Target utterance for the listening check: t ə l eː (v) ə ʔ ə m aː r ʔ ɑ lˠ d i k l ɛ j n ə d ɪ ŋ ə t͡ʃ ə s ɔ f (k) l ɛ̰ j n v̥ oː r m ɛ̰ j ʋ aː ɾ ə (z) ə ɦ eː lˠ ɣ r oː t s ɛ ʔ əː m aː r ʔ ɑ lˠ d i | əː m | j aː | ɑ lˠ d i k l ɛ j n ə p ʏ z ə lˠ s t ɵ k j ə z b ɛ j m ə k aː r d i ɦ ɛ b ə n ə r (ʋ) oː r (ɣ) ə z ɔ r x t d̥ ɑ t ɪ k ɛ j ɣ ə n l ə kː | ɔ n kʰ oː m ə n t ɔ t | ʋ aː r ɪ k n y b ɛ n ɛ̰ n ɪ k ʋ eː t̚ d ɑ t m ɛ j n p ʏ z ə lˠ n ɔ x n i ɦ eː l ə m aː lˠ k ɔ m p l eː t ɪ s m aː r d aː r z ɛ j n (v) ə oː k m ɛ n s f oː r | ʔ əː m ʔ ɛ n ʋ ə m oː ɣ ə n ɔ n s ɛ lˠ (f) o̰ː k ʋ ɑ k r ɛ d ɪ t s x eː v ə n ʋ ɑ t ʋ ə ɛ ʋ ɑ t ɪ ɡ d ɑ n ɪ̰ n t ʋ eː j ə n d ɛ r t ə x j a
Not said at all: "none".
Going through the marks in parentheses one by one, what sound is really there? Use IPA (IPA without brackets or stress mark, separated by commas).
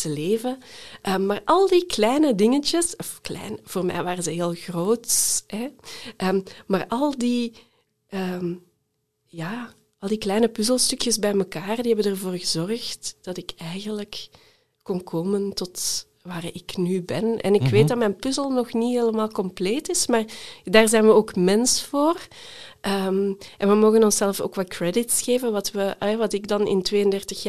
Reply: v, k, z, v, ɣ, ʋ, f